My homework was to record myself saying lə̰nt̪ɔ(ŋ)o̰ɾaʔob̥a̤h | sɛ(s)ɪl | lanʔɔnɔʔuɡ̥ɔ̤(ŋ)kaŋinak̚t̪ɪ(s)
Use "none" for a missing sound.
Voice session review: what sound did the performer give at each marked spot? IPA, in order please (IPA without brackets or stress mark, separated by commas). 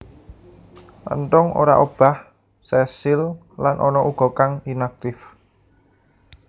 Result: ŋ, s, none, f